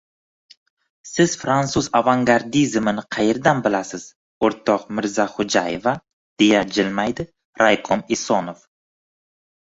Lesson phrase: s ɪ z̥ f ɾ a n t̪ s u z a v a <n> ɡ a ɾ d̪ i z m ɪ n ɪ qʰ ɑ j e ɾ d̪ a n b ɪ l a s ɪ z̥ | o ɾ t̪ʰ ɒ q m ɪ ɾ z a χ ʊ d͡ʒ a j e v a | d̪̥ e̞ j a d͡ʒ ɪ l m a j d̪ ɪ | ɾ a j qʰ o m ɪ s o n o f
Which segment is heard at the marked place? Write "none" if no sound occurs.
ŋ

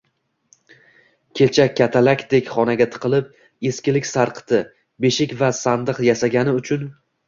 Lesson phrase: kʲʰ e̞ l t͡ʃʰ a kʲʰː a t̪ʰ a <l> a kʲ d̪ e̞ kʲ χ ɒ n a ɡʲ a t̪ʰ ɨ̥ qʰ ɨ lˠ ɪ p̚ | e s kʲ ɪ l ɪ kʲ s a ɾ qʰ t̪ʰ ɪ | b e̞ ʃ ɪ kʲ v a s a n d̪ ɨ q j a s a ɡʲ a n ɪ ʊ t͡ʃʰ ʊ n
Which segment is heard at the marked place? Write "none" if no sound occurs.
l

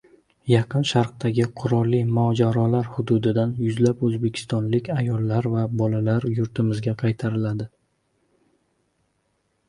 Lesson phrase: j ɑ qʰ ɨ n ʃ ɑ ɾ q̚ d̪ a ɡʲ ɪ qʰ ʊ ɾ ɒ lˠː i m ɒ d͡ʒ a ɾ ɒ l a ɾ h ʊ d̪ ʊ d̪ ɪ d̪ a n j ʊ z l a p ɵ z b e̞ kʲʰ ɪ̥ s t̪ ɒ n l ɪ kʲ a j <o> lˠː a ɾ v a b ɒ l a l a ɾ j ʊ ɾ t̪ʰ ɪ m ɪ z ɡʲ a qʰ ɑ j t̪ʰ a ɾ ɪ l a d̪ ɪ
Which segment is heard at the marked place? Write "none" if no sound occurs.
ɒ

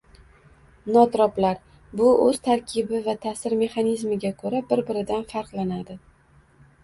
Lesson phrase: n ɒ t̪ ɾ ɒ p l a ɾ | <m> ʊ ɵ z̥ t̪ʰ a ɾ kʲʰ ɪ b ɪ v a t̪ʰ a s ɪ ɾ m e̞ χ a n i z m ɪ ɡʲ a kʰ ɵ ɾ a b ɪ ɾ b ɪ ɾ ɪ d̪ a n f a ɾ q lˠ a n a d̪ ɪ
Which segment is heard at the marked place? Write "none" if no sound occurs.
b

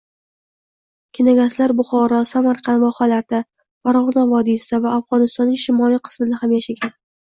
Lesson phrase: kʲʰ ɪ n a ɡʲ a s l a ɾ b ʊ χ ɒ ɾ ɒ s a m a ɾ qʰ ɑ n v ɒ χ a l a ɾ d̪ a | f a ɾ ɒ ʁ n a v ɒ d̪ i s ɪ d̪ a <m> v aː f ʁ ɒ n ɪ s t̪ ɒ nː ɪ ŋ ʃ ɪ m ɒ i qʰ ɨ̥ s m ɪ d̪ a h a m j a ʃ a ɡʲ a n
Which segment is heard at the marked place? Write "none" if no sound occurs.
none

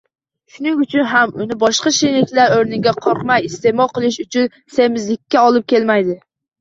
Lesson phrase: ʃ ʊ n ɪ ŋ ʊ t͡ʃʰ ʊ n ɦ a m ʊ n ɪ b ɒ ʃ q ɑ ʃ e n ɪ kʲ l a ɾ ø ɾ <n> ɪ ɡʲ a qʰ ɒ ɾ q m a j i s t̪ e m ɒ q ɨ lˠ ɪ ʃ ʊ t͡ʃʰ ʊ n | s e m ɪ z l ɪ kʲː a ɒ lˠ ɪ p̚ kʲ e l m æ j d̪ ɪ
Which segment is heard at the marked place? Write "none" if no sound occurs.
n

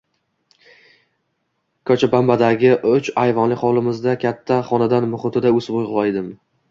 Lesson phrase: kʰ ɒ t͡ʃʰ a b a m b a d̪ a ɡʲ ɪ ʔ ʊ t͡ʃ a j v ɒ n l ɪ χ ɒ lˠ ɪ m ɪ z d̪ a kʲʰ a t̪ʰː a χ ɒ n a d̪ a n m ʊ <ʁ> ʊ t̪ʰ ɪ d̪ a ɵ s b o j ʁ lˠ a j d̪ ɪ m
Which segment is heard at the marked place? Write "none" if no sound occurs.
χ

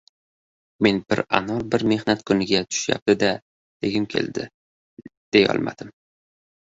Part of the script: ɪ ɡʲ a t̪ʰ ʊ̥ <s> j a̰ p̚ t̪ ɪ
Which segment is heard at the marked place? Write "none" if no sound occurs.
ʃ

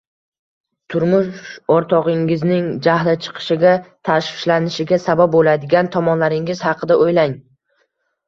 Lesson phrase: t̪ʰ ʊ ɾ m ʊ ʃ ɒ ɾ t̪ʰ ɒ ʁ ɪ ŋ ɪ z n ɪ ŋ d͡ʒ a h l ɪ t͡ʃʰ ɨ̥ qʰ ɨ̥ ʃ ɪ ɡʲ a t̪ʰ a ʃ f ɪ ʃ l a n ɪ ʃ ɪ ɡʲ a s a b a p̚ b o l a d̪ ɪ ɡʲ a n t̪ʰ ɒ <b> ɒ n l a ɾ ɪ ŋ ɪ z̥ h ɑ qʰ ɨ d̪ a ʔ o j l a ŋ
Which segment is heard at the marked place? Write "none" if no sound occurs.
m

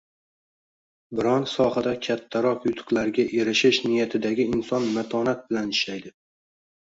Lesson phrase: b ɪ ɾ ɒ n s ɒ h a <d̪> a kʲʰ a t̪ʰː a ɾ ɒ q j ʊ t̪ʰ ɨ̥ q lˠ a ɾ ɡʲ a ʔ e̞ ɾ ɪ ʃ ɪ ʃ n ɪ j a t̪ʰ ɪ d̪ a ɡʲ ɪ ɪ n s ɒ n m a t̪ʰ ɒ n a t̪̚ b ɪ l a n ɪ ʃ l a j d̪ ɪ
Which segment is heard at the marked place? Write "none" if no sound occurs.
d̪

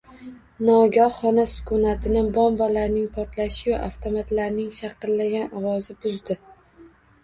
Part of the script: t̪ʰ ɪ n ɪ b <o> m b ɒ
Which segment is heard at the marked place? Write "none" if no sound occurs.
ɒ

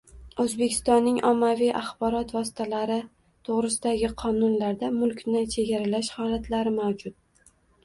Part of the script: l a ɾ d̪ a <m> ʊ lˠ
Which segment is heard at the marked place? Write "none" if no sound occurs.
m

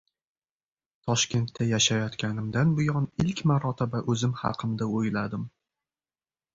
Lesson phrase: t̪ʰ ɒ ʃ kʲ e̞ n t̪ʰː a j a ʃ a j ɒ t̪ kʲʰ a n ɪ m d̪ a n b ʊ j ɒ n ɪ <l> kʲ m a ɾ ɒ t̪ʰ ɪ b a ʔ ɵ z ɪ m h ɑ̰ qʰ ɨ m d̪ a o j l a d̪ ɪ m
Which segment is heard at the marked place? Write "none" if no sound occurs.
l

